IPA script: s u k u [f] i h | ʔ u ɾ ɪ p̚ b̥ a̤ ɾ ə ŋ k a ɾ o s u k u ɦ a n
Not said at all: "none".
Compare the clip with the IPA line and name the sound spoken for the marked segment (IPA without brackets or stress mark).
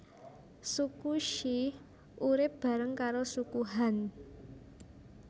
ʃ